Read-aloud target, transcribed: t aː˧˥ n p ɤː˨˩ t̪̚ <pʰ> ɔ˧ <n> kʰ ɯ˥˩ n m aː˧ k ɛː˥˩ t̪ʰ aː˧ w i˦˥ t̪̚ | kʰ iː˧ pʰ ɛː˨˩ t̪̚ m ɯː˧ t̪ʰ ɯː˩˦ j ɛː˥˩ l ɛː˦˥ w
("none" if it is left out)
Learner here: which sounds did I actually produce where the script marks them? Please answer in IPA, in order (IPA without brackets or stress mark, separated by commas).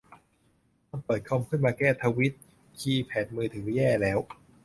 kʰ, m